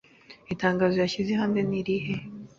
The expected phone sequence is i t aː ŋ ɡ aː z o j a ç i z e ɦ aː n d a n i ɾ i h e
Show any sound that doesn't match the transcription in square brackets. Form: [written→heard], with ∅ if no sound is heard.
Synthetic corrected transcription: i t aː ŋ ɡ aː z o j a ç i z e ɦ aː n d [a→e] n i ɾ i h e